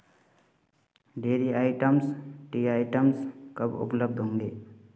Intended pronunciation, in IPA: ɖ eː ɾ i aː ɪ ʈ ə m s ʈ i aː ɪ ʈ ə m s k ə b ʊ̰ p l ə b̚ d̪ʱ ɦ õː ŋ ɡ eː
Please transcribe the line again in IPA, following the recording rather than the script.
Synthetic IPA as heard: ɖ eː ɾ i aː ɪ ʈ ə m s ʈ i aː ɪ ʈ ə m s k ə b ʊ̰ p l ə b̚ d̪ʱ ɦ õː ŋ ɡ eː